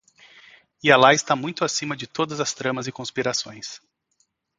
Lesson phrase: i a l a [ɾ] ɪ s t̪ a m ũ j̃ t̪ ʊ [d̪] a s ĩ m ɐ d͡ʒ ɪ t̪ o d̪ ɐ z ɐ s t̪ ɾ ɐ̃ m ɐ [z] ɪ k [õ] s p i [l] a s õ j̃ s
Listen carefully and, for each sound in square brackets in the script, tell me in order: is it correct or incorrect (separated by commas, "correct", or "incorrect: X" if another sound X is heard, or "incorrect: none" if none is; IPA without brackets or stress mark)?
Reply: incorrect: none, incorrect: none, correct, correct, incorrect: ɾ